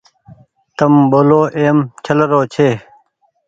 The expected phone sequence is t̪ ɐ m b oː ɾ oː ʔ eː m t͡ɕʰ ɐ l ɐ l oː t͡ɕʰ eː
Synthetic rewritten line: t̪ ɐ m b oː l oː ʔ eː m t͡ɕʰ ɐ l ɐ ɾ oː t͡ɕʰ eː